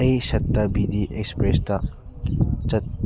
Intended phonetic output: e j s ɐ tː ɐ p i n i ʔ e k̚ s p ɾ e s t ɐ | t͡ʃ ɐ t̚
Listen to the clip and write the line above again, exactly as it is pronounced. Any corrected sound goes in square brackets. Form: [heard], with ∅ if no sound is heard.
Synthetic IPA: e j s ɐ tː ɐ [b] i [d] i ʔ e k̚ s p ɾ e s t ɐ | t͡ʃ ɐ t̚

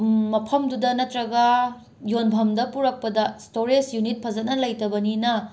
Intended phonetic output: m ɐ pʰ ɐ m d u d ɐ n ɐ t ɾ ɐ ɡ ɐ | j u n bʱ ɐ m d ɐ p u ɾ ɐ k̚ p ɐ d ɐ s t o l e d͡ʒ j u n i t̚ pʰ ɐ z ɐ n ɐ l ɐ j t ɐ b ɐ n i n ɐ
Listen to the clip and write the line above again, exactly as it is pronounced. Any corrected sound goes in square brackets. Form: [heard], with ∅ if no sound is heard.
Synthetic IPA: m ɐ pʰ ɐ m d u d ɐ n ɐ t ɾ ɐ ɡ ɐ | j [o] n bʱ ɐ m d ɐ p u ɾ ɐ k̚ p ɐ d ɐ s t o [ɾ] e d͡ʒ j u n i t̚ pʰ ɐ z ɐ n ɐ l ɐ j t ɐ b ɐ n i n ɐ

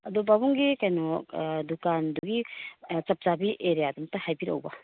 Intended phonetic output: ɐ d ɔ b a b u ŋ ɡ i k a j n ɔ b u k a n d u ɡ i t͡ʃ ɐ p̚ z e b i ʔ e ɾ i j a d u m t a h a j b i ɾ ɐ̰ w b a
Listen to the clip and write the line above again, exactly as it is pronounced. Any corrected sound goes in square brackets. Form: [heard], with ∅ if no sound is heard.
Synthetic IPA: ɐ d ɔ b a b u ŋ ɡ i k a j n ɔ [d] u k a n d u ɡ i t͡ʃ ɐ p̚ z [a] b i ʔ e ɾ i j a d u m t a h a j b i ɾ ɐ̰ w b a

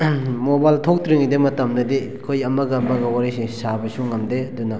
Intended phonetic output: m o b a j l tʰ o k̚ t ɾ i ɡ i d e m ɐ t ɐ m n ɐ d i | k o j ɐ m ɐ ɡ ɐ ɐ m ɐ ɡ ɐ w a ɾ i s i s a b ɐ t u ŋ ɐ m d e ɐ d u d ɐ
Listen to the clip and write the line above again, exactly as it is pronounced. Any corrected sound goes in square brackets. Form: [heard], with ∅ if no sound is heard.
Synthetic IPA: m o b a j l tʰ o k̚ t ɾ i [ŋ] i d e m ɐ t ɐ m n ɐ d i | [kʰ] o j ɐ m ɐ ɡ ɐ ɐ m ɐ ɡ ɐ w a ɾ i s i s a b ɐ [s] u ŋ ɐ m d e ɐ d u [n] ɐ

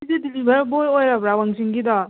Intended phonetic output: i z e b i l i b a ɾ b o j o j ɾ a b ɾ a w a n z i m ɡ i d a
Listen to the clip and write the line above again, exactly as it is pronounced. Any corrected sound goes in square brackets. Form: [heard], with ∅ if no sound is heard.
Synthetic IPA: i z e [d] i l i b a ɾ b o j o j ɾ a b ɾ a w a [ŋ] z i [ŋ] ɡ i d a

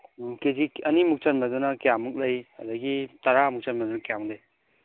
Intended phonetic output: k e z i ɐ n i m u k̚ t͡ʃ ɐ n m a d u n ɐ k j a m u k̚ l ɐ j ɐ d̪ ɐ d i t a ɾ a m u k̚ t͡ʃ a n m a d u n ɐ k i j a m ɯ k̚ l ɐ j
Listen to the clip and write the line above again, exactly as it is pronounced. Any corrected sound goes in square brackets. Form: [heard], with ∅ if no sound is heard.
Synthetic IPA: k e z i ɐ n i m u k̚ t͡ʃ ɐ n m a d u n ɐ k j a m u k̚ l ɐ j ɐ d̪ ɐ [ɡ] i t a ɾ a m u k̚ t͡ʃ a n m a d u n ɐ k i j a m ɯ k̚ l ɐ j

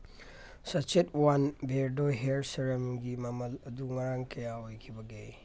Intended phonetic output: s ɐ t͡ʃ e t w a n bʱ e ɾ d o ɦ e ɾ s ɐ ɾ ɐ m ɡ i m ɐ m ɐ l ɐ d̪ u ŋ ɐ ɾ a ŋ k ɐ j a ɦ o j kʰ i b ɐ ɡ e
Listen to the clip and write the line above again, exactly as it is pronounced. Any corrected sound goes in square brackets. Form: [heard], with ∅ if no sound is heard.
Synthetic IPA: s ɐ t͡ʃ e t w a n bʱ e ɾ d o ɦ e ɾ s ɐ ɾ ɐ m ɡ i m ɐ m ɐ l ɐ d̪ u ŋ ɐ ɾ a ŋ k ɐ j a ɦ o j kʰ i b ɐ ɡ e

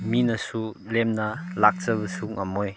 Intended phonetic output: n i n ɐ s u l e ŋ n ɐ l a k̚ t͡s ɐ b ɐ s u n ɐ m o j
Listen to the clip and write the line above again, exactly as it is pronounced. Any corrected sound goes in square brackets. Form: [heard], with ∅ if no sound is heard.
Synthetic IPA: [m] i n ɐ s u l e [m] n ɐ l a k̚ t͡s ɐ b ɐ s u [ŋ] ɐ m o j

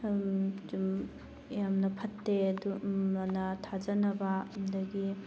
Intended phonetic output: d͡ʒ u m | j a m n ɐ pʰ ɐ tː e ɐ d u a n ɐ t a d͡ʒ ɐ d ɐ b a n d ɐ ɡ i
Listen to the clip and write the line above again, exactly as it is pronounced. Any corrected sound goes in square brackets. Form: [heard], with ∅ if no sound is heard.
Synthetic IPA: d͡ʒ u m | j a m n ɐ pʰ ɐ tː e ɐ d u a n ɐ [tʰ] a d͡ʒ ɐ [n] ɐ b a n d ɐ ɡ i

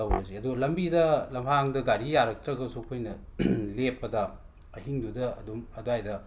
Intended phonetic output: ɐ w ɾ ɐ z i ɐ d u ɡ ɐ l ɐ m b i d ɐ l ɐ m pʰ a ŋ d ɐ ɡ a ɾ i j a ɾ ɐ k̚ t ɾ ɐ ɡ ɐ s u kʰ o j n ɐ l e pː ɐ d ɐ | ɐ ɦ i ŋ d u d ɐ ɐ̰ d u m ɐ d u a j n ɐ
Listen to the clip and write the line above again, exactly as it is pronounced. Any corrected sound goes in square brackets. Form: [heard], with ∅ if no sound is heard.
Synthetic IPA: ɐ w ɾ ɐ z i ɐ d u ɡ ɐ l ɐ m b i d ɐ l ɐ m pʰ a ŋ d ɐ ɡ a ɾ i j a ɾ ɐ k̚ t ɾ ɐ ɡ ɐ s u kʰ o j n ɐ l e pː ɐ d ɐ | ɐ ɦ i ŋ d u d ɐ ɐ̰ d u m ɐ d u a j [d] ɐ

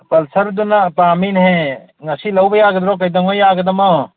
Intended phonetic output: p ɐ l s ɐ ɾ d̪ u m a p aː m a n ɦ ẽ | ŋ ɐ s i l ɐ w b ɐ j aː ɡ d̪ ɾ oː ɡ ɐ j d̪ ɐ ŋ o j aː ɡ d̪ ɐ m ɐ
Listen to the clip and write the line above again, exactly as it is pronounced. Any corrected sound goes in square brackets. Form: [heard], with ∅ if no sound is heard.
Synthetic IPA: p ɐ l s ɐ ɾ d̪ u [n] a p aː m [i] n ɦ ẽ | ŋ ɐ s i l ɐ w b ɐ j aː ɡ d̪ ɾ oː [k] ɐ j d̪ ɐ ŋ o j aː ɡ d̪ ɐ m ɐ

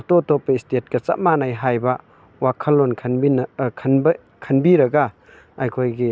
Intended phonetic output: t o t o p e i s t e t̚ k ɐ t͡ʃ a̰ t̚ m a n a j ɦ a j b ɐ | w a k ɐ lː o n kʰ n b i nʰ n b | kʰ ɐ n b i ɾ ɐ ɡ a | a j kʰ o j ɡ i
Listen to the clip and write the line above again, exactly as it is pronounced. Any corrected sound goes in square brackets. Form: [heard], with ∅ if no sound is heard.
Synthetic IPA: t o t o p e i s t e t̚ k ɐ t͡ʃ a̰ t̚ m a n a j ɦ a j b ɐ | w a [kʰ] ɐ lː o n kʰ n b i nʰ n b | kʰ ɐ n b i ɾ ɐ ɡ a | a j kʰ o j ɡ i

